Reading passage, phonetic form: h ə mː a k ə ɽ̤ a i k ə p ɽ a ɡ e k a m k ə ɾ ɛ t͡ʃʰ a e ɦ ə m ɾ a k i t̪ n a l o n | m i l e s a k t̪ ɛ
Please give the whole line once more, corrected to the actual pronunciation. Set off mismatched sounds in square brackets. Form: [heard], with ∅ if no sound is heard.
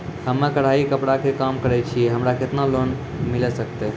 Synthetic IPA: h ə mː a k ə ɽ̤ a i k ə p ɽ a [k] e k a m k ə ɾ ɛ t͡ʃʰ [i] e ɦ ə m ɾ a k [e] t̪ n a l o n | m i l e s [ə] k t̪ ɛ